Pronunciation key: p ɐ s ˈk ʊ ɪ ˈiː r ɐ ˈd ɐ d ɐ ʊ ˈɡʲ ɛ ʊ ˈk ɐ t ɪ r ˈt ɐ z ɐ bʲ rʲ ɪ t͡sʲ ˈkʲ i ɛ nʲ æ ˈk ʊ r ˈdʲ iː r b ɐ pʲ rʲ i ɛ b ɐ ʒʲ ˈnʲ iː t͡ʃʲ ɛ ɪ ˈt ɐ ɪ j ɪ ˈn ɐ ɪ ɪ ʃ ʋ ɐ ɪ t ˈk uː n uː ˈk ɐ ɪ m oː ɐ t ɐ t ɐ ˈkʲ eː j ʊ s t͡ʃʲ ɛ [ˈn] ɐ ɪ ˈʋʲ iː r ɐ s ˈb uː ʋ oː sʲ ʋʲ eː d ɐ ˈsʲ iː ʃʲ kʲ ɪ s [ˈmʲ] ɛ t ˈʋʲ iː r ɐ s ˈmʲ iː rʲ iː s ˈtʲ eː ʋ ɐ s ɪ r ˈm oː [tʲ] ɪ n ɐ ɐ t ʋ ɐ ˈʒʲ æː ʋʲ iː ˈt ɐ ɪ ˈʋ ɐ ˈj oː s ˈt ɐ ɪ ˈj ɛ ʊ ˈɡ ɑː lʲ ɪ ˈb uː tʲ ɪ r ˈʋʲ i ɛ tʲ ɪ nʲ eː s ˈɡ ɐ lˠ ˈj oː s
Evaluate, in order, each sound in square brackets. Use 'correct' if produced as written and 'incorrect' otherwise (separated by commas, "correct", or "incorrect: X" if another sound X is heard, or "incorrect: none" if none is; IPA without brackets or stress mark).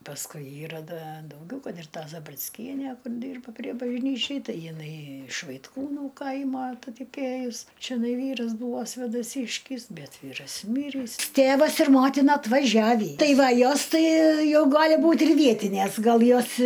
correct, incorrect: bʲ, correct